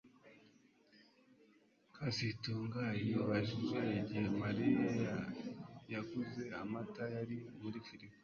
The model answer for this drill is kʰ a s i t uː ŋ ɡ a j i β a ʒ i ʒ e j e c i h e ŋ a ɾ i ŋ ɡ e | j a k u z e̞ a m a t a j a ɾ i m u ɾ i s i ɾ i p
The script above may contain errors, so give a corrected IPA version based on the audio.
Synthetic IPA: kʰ a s i t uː ŋ ɡ a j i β a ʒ i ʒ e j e ɟ i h e m a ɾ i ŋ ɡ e | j a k u z e̞ a m a t a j a ɾ i m u ɾ i f i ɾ i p